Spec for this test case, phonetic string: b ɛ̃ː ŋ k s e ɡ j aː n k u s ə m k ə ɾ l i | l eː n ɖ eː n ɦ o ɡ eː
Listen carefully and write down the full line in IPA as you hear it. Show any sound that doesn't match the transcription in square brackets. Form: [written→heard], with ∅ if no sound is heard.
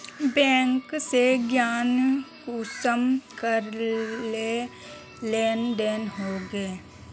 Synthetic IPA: b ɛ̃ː ŋ k s e ɡ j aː n k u s ə m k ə ɾ l [i→e] | l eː n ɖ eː n ɦ o ɡ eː